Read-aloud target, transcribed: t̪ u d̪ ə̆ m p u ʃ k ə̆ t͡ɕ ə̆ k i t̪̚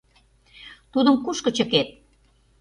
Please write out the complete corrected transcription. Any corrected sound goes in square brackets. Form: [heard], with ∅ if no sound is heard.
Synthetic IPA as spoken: t̪ u d̪ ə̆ m [k] u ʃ k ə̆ t͡ɕ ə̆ k [e] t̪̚

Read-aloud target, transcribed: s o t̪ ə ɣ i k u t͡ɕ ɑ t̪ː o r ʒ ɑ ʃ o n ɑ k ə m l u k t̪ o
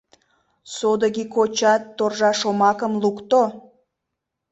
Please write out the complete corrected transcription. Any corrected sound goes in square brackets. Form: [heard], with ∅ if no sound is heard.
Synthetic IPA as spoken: s o [d̪] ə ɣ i k [o] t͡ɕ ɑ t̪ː o r ʒ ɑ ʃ o [m] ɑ k ə m l u k t̪ o

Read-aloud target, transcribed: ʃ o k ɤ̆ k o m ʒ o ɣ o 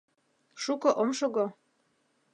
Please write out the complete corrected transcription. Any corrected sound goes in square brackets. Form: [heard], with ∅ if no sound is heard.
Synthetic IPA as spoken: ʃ [u] k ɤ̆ [ʔ] o m [ʃ] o ɣ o

